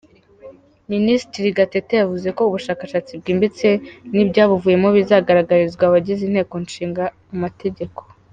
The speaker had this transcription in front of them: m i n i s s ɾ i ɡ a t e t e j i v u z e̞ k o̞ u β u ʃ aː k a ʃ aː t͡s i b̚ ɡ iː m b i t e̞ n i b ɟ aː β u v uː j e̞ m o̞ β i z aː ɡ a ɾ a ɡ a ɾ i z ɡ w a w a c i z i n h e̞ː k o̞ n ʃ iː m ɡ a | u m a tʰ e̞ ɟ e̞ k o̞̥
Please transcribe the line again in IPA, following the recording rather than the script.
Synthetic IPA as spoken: m i n i s t ɾ i ɡ a t e t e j a v u z e̞ k o̞ u β u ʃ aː k a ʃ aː t͡s i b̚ ɡ iː m b i t͡s e̞ n i b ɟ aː β u v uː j e̞ m o̞ β i z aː ɡ a ɾ a ɡ a ɾ i z ɡ w a β a ɟ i z i n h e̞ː k o̞ n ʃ iː ŋ ɡ a | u m a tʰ e̞ ɟ e̞ k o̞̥